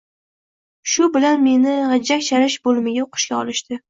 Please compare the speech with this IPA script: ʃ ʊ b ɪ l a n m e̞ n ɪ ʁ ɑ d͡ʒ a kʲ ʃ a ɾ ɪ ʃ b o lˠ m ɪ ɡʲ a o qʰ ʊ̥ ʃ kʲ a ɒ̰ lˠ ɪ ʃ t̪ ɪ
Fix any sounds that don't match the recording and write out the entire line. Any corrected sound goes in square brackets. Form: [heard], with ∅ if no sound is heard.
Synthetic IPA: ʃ ʊ b ɪ l a n m e̞ n ɪ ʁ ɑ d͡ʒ a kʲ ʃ a ɾ ɪ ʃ b o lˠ m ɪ ɡʲ a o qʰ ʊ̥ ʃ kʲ a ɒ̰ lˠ ɪ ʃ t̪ ɪ